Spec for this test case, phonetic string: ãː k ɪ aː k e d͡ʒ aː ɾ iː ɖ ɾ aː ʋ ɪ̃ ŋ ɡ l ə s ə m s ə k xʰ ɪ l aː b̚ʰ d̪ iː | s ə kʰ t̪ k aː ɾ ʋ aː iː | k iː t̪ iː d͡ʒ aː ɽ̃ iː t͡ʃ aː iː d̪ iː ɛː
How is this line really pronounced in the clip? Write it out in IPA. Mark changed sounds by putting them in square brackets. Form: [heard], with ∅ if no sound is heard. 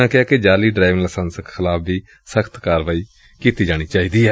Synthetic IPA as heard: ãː k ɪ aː k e d͡ʒ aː [l] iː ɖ ɾ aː ʋ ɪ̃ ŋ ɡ l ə s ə [n] s ə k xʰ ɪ l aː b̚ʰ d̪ iː | s ə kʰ t̪ k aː ɾ ʋ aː iː | k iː t̪ iː d͡ʒ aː ɽ̃ iː t͡ʃ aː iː d̪ iː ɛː